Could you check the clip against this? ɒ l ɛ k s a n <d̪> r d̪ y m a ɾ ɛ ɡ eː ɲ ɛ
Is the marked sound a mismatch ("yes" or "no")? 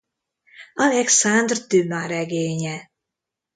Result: no